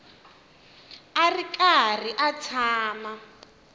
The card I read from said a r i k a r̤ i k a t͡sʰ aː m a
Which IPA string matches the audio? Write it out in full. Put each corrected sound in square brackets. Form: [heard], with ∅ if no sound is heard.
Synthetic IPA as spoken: a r i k a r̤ i [ʔ] a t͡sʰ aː m a